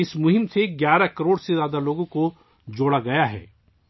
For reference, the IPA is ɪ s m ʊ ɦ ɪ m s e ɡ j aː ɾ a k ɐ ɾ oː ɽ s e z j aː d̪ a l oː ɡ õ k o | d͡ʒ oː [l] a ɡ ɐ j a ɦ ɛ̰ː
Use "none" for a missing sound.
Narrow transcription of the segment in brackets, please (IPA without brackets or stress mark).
ɽ